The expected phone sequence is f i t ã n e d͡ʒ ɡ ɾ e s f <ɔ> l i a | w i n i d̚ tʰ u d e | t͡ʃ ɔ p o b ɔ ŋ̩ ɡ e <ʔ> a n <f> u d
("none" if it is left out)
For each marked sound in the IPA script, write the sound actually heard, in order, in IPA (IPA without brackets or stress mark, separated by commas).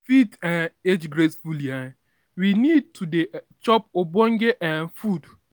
u, ʔ, f